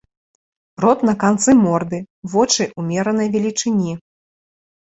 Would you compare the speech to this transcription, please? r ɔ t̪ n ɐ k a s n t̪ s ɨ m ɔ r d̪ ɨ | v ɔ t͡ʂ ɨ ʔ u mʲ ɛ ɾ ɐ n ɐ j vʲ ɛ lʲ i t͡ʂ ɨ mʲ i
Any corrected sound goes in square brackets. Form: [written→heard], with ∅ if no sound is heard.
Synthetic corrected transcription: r ɔ t̪ n ɐ k a [s→∅] n t̪ s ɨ m ɔ r d̪ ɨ | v ɔ t͡ʂ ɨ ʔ u mʲ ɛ ɾ ɐ n ɐ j vʲ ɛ lʲ i t͡ʂ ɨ [mʲ→nʲ] i